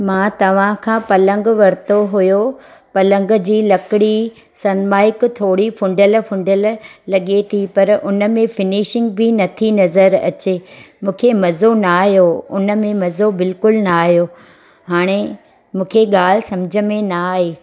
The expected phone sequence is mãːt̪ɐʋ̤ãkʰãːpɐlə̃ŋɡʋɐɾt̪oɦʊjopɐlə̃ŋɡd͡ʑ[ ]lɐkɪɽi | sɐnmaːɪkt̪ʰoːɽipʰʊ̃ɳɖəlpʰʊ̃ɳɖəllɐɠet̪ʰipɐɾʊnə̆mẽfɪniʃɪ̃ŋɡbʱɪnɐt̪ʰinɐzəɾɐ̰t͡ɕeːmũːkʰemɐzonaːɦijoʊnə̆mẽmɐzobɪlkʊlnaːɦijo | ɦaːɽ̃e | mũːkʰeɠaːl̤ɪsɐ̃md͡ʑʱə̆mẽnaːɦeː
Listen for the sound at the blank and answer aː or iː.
iː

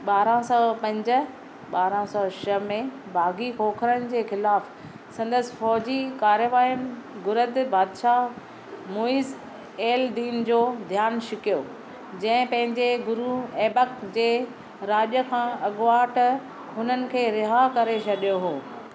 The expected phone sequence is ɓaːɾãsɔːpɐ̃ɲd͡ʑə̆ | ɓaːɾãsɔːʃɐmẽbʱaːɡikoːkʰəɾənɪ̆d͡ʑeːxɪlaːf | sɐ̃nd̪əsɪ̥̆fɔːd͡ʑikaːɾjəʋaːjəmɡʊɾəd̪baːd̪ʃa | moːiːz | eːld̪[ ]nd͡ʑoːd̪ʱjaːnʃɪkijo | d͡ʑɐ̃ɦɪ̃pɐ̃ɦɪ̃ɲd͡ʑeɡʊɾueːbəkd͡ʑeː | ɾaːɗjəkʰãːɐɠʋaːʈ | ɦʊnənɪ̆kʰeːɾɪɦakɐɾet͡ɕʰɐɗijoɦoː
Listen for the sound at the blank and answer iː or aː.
iː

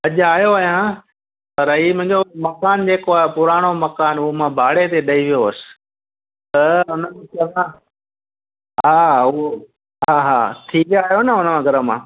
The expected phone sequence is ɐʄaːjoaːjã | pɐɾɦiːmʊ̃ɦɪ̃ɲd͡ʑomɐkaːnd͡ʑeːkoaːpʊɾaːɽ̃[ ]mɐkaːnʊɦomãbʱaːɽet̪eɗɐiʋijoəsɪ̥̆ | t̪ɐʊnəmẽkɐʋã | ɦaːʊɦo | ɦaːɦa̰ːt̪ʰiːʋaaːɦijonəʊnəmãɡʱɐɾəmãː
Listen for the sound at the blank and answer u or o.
o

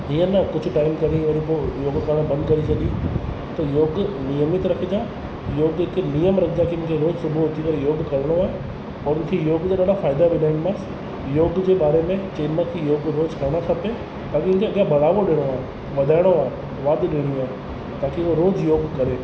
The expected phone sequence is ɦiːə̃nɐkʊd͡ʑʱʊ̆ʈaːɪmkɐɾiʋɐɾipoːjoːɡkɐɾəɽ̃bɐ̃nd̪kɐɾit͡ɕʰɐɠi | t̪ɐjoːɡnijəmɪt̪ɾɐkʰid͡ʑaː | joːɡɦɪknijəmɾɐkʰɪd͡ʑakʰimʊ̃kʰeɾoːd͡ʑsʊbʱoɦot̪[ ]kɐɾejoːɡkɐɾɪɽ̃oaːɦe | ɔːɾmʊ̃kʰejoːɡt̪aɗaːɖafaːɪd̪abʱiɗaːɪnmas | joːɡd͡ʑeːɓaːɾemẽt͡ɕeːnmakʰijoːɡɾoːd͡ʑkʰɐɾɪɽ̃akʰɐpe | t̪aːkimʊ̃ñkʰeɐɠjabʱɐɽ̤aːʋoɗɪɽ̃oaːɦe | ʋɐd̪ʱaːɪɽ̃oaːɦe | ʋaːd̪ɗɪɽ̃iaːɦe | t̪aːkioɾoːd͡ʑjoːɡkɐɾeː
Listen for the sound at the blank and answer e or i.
i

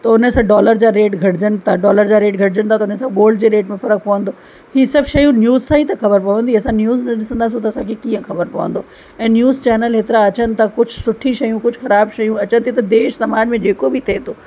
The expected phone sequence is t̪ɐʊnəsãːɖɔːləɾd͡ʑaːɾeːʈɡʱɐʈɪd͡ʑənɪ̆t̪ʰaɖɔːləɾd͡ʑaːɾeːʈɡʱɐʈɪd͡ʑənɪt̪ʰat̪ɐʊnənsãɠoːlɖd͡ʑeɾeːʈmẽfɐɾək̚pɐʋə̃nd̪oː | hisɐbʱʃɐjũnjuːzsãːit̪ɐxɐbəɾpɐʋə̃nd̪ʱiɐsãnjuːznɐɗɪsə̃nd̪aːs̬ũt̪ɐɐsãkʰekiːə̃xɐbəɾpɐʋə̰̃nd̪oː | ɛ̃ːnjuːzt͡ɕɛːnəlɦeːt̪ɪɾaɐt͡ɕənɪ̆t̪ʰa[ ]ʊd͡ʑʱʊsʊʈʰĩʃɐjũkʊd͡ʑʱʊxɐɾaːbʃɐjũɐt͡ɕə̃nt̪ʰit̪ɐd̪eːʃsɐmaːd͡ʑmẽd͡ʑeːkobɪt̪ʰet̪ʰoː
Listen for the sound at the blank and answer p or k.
k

